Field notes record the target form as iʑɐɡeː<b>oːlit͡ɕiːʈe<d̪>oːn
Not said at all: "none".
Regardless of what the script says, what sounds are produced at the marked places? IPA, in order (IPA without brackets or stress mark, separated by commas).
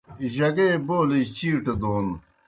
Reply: b, d̪